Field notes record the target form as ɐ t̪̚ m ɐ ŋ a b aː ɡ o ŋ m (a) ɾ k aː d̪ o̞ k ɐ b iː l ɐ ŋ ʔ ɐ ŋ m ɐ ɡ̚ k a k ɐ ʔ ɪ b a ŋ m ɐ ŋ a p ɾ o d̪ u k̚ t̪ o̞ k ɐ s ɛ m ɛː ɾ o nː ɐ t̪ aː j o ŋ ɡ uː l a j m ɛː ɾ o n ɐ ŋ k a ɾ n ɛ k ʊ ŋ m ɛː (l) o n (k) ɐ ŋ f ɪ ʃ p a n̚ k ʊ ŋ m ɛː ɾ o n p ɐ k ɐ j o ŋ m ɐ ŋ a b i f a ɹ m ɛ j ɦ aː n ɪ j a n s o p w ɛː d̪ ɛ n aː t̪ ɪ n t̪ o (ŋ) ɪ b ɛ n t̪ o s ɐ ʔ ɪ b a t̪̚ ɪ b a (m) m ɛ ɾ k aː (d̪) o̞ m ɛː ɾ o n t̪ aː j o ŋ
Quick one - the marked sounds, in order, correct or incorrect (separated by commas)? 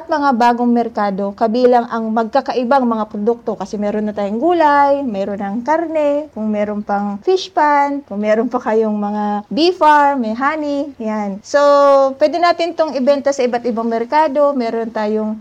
incorrect, incorrect, incorrect, correct, incorrect, correct